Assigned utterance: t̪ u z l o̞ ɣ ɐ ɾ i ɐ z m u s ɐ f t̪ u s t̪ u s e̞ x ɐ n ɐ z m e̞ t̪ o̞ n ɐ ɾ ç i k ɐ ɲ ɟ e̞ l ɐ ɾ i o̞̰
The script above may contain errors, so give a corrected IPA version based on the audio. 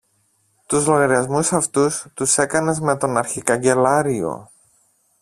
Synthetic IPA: t̪ u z l o̞ ɣ ɐ ɾ i ɐ z m u s ɐ f t̪ u s t̪ u s e̞ k ɐ n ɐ z m e̞ t̪ o̞ n ɐ ɾ ç i k ɐ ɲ ɟ e̞ l ɐ ɾ i o̞̰